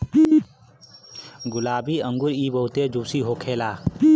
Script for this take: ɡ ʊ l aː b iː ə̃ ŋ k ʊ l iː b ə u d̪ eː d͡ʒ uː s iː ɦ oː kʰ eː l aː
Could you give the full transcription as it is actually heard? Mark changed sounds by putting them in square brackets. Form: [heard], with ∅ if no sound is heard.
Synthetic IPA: ɡ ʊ l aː b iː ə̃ ŋ [ɡ] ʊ [ɾ] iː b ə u [t̪] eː d͡ʒ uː s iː ɦ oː kʰ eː l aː